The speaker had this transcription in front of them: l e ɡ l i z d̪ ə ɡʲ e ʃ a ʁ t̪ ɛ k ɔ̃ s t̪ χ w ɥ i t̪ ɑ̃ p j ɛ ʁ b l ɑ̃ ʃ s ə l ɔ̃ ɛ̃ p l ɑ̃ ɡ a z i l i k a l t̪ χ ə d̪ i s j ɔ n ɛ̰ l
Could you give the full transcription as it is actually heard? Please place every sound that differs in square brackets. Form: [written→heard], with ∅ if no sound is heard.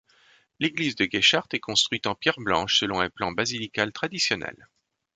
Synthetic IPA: l e ɡ l i z d̪ ə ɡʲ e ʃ a ʁ t̪ ɛ k ɔ̃ s t̪ χ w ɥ i t̪ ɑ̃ p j ɛ ʁ b l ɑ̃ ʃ s ə l ɔ̃ ɛ̃ p l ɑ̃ [ɡ→b] a z i l i k a l t̪ χ [ə→a] d̪ i s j ɔ n ɛ̰ l